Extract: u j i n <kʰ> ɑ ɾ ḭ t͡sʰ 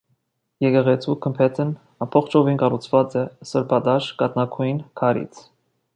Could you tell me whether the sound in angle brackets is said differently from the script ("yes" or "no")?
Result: no